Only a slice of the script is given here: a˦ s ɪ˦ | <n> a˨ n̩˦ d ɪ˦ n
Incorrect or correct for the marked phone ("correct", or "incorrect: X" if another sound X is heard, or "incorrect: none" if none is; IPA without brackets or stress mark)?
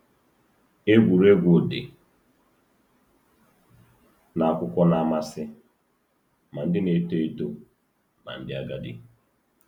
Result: incorrect: m